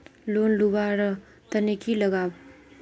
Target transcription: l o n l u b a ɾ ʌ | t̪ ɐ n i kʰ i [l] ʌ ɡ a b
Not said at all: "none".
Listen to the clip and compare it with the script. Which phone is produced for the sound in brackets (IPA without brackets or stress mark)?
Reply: l